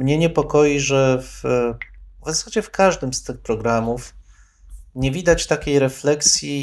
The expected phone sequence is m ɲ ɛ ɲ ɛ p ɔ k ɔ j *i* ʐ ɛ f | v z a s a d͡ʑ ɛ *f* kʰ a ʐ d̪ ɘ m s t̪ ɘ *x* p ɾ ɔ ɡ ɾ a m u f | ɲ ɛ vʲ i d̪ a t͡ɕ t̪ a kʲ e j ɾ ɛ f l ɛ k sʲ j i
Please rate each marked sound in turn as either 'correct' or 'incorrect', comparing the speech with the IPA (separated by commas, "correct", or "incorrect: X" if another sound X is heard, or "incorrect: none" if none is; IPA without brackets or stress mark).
correct, correct, correct